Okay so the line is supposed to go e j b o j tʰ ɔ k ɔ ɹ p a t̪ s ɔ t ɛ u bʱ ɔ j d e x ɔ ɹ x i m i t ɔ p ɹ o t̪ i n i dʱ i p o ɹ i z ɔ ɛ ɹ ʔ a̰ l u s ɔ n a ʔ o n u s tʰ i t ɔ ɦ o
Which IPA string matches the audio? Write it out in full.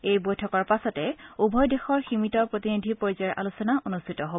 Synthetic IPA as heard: e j b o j tʰ ɔ k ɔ ɹ p a s ɔ t ɛ u bʱ ɔ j d e x ɔ ɹ x i m i t ɔ p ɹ o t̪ i n i dʱ i p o ɹ i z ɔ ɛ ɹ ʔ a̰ l u s ɔ n a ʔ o n u s tʰ i t ɔ ɦ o